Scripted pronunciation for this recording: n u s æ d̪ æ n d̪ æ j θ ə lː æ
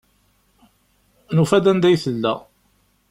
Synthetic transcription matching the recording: n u f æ d̪ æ n d̪ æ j θ ə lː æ

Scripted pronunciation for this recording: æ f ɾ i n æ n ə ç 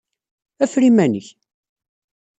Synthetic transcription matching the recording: æ f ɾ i m æ n ə ç

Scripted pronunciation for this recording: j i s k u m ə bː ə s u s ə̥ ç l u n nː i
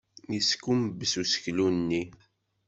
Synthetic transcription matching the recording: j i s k u m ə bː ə s u s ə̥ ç l u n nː i

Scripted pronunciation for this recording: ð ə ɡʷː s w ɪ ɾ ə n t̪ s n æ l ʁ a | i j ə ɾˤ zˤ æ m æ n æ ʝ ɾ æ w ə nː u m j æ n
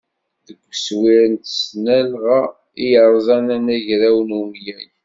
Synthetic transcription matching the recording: ð ə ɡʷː s w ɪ ɾ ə n t̪ s n æ l ʁ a | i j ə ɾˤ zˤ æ n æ n æ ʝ ɾ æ w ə n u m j æ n

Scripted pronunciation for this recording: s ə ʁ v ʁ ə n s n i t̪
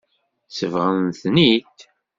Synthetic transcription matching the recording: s ə v ʁ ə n θ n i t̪

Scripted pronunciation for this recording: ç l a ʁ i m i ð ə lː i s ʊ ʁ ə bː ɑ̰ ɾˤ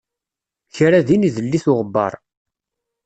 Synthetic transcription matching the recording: ç ɾ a ð i n i ð ə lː i θ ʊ ʁ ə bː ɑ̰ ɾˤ

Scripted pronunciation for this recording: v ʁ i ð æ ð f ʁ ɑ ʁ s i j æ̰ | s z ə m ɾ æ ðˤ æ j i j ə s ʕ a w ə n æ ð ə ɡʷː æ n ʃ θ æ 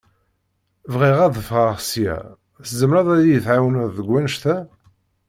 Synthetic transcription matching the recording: v ʁ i ʁ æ ð f ʁ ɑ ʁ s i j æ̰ | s z ə m ɾ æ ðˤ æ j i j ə θ ʕ a w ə n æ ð ə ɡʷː æ n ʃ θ æ

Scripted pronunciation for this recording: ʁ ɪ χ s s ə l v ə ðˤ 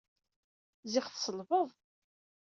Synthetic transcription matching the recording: z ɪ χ θ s ə l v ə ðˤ

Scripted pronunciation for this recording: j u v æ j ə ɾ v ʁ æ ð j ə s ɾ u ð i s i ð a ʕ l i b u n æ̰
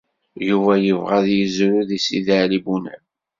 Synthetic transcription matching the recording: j u v æ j ə v ʁ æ ð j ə z ɾ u ð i s i ð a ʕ l i b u n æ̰

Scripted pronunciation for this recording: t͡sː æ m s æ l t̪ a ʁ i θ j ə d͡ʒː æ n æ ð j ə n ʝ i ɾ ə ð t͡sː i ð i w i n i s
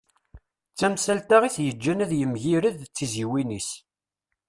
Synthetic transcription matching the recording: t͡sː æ m s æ l t̪ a ʁ i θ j ə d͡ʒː æ n æ ð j ə m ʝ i ɾ ə ð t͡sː i z i w i n i s

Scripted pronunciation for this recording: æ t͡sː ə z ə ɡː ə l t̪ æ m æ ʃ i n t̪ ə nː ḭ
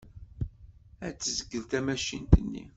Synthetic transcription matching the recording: æ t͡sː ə z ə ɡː ə l t̪ æ m æ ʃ i n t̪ ə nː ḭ

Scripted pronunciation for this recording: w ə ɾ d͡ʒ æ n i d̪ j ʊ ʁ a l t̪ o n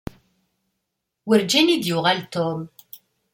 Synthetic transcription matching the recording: w ə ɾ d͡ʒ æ n i d̪ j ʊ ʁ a l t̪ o m

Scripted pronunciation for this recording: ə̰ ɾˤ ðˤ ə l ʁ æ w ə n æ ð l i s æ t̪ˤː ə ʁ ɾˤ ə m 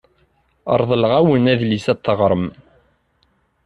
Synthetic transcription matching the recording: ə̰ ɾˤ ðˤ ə l ʁ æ w ə n æ ð l i s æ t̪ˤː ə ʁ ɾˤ ə m

